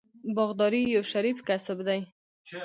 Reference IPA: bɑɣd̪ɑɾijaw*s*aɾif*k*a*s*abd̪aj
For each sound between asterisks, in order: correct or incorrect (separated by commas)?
incorrect, correct, correct